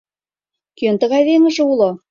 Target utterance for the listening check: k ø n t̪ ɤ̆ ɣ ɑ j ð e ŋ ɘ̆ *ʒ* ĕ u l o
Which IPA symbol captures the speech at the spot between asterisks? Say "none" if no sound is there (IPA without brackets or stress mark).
ʒ